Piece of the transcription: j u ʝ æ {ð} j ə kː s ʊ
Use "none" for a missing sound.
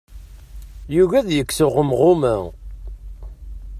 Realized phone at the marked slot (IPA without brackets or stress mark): ð